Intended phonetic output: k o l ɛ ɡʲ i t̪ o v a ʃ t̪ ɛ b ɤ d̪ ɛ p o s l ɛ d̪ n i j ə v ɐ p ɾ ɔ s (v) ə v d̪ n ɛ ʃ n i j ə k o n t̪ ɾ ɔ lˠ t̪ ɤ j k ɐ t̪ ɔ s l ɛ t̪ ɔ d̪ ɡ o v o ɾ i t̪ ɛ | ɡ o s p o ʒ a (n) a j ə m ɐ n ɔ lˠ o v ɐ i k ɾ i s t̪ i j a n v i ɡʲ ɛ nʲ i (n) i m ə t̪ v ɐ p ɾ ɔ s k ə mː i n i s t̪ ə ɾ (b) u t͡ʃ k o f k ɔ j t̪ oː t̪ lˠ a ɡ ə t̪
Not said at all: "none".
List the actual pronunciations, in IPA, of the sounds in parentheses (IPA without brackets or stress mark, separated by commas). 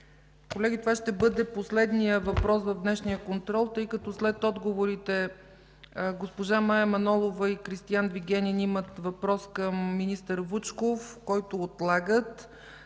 v, m, n, v